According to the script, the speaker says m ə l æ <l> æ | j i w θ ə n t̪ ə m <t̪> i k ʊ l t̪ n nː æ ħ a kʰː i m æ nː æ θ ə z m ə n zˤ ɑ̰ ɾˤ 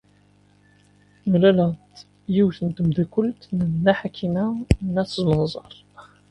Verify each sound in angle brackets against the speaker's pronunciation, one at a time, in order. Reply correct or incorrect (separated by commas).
correct, incorrect